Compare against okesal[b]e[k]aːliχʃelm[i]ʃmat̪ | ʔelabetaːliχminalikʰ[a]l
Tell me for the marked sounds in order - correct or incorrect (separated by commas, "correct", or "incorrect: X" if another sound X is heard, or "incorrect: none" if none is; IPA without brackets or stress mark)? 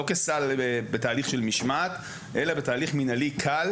correct, incorrect: t, correct, correct